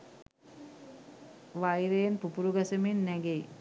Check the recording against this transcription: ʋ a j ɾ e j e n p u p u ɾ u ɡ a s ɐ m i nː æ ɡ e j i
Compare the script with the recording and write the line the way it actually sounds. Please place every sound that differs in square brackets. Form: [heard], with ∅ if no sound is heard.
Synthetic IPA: ʋ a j ɾ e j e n p u p u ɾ u ɡ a s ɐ m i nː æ ɡ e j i